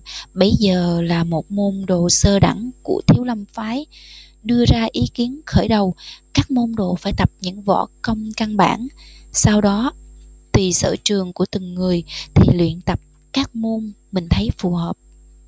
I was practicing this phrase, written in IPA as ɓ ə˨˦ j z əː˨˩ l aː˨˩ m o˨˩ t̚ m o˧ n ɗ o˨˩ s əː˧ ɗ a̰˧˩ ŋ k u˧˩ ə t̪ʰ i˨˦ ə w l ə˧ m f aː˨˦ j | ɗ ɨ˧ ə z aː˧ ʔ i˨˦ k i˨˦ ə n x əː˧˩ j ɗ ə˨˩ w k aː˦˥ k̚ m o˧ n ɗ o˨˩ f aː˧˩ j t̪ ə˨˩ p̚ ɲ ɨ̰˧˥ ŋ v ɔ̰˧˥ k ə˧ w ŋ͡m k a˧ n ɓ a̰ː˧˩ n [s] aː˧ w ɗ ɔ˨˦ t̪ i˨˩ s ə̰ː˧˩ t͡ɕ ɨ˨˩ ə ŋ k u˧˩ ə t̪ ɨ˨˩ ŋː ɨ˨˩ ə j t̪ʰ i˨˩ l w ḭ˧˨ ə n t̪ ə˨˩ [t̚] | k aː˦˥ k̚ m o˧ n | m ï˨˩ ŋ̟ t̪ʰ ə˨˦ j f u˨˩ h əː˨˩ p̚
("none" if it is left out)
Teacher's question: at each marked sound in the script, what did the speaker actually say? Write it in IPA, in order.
s, p̚

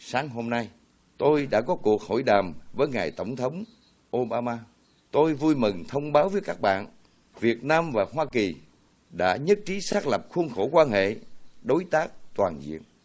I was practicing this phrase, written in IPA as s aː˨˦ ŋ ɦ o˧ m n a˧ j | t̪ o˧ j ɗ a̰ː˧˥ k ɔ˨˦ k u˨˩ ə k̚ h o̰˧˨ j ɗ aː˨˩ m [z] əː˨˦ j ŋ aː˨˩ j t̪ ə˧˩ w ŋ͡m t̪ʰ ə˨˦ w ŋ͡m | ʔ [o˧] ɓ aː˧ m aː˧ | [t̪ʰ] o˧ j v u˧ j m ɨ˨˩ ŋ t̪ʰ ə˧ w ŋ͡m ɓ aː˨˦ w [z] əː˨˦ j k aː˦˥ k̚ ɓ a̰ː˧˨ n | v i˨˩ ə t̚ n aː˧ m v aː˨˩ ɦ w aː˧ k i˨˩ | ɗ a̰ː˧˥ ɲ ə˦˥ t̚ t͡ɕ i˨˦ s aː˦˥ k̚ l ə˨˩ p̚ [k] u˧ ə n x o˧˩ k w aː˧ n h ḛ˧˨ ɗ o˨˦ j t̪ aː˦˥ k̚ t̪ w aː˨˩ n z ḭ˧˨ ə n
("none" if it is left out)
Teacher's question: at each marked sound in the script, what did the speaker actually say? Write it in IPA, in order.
v, o˧, t̪, v, x

